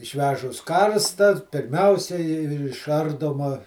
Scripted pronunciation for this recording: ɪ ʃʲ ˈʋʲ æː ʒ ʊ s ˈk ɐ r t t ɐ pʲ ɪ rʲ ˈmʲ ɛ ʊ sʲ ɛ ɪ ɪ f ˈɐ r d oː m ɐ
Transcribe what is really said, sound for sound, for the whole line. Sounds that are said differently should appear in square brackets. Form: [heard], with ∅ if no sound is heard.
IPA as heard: ɪ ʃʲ ˈʋʲ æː ʒ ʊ s ˈk ɐ r [s] t ɐ pʲ ɪ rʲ ˈmʲ ɛ ʊ sʲ ɛ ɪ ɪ [ʃ] ˈɐ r d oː m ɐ